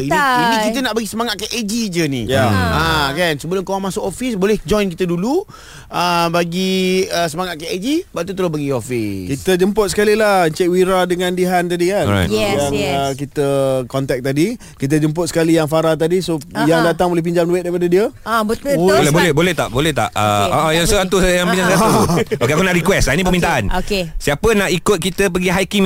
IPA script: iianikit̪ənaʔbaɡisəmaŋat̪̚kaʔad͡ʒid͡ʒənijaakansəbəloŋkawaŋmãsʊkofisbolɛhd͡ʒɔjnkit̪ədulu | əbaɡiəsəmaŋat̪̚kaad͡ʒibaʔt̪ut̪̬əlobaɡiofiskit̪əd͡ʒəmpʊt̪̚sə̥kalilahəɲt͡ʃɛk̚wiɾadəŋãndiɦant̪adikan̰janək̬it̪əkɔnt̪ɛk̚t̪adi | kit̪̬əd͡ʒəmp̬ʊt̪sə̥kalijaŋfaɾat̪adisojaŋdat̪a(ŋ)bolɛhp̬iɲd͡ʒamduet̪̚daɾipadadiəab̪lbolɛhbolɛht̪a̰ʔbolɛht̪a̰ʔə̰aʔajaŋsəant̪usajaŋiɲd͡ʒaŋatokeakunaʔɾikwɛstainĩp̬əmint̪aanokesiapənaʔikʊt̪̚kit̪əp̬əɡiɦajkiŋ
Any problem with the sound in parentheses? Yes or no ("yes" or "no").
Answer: no